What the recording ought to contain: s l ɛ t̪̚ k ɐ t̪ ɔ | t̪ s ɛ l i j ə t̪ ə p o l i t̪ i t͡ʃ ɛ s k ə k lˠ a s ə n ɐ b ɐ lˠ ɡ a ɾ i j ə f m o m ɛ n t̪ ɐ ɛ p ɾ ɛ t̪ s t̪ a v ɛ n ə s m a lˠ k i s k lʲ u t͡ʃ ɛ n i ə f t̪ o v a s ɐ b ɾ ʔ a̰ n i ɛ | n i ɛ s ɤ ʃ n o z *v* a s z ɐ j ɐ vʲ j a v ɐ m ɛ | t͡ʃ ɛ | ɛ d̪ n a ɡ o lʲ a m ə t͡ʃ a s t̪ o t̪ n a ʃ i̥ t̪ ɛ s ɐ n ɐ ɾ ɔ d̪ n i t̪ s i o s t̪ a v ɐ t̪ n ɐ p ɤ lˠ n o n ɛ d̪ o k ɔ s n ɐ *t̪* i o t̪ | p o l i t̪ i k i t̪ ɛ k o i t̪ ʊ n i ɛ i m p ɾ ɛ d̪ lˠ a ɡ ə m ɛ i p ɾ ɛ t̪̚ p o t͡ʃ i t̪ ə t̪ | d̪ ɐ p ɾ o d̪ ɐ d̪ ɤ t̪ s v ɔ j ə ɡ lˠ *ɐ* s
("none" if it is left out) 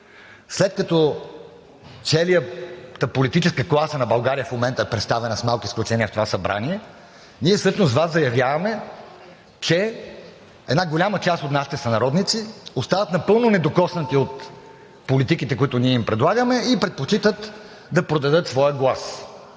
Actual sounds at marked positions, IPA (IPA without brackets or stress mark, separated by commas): v, t̪, a